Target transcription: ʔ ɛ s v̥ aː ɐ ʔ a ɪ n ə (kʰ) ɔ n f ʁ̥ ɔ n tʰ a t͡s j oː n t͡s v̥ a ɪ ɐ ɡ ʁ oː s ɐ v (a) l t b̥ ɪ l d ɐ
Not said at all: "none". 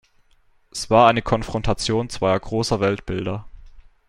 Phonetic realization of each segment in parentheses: kʰ, ɛ

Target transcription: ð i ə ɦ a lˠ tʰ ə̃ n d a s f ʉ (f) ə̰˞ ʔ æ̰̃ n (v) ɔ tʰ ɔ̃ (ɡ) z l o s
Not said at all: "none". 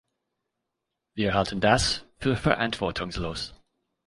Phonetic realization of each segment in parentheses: f, f, ŋ

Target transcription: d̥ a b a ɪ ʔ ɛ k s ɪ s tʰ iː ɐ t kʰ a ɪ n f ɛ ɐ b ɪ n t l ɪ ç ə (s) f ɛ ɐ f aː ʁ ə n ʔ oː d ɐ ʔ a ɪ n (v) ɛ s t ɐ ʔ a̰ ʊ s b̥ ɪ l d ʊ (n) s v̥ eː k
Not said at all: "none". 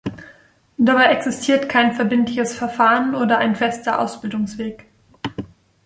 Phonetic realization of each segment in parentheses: s, f, ŋ

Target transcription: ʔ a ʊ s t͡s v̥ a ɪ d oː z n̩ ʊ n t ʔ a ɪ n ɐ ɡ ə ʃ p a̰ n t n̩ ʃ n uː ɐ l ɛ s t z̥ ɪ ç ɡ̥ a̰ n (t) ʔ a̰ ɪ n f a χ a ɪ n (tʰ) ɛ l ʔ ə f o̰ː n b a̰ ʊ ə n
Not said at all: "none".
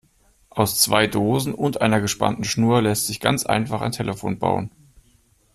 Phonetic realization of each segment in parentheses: t͡s, tʰ

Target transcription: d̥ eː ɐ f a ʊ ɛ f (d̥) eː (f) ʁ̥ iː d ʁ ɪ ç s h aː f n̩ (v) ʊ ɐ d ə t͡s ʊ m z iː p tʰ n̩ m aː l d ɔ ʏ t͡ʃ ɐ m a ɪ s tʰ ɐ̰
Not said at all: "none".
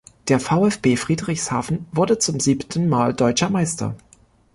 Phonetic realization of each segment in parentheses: b̥, f, v

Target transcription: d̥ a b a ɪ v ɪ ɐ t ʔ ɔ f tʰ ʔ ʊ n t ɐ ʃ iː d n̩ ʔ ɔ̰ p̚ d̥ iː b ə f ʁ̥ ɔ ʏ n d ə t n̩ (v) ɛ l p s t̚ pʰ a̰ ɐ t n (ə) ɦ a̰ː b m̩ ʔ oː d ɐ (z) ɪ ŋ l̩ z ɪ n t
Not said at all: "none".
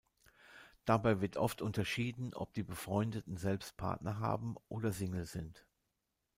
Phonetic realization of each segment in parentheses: z, ɐ, z

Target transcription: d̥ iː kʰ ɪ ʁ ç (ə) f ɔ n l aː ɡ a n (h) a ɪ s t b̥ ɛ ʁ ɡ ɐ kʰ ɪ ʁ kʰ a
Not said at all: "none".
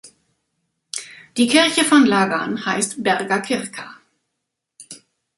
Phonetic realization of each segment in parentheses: ə, h

